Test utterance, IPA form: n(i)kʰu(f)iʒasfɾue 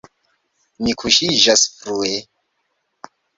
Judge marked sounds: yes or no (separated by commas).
yes, no